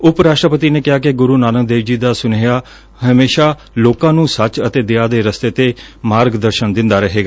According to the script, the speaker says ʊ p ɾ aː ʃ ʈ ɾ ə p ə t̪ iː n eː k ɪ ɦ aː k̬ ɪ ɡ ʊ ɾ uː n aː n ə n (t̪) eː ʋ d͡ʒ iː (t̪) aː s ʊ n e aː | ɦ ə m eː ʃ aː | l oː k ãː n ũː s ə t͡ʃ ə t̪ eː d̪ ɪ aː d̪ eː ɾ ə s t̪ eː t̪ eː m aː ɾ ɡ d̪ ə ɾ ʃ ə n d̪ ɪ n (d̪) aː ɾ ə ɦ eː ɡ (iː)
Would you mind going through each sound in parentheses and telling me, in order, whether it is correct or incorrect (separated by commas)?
incorrect, incorrect, correct, incorrect